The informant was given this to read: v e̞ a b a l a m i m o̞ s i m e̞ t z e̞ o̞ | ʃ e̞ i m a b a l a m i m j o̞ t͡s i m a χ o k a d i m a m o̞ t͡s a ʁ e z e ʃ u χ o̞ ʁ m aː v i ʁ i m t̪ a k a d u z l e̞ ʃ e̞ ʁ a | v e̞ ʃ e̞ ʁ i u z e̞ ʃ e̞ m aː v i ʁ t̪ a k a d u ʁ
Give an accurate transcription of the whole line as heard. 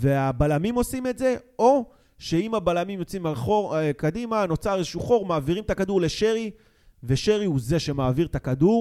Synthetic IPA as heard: v e̞ a b a l a m i m o̞ s i m e̞ t z e̞ o̞ | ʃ e̞ i m a b a l a m i m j o̞ t͡s i m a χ o k a d i m a n o̞ t͡s a ʁ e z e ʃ u χ o̞ ʁ m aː v i ʁ i m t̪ a k a d u ʁ l e̞ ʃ e̞ ʁ i | v e̞ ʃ e̞ ʁ i u z e̞ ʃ e̞ m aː v i ʁ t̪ a k a d u ʁ